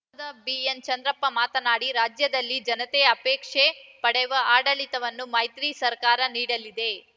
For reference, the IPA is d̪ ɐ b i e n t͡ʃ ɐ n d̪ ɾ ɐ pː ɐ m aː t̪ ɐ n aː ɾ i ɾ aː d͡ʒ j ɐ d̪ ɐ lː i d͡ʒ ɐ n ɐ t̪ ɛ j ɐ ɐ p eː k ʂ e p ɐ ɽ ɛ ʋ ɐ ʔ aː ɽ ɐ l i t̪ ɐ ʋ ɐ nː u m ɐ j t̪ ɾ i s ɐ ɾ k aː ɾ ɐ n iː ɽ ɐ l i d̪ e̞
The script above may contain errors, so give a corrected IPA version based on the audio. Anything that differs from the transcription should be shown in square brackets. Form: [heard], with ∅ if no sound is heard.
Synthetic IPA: d̪ ɐ b i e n t͡ʃ ɐ n d̪ ɾ ɐ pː ɐ m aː t̪ ɐ n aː [ɽ] i ɾ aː d͡ʒ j ɐ d̪ ɐ lː i d͡ʒ ɐ n ɐ t̪ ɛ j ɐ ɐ p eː k ʂ e p ɐ ɽ ɛ ʋ ɐ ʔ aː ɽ ɐ l i t̪ ɐ ʋ ɐ nː u m ɐ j t̪ ɾ i s ɐ ɾ k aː ɾ ɐ n iː ɽ ɐ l i d̪ e̞